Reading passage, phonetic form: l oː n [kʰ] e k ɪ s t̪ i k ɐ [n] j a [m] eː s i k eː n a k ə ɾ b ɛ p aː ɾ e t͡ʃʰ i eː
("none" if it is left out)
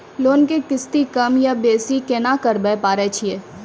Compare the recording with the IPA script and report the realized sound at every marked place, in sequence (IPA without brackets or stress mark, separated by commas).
k, m, b